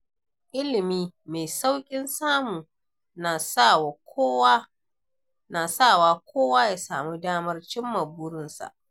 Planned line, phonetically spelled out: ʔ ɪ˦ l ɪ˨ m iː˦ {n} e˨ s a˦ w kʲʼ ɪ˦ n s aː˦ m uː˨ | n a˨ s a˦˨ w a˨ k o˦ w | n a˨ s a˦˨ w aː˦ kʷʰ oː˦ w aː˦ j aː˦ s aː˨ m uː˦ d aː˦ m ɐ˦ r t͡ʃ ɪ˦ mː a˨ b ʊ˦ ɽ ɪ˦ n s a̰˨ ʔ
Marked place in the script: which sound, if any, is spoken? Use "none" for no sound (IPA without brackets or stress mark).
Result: m